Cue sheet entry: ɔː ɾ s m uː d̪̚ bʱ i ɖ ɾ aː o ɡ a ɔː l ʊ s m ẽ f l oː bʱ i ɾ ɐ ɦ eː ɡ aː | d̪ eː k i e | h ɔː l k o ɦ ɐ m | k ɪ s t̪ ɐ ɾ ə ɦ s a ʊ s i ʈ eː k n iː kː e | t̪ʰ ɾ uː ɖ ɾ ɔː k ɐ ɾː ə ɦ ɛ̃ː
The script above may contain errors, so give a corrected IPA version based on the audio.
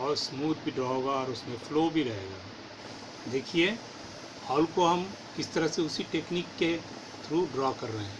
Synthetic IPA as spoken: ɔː ɾ s m uː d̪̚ bʱ i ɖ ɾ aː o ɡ a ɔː ɾ ʊ s m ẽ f l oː bʱ i ɾ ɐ ɦ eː ɡ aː | d̪ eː kʰ i e | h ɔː l k o ɦ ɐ m | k ɪ s t̪ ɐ ɾ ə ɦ s e ʊ s i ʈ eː k n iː kː e | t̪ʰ ɾ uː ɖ ɾ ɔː k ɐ ɾː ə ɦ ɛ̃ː